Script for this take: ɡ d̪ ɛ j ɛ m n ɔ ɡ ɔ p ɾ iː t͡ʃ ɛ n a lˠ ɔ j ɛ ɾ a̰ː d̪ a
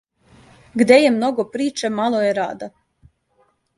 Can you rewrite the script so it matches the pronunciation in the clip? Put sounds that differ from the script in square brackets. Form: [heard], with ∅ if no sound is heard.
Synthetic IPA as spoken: ɡ d̪ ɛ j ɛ m n ɔ ɡ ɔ p ɾ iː t͡ʃ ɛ [m] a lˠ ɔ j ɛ ɾ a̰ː d̪ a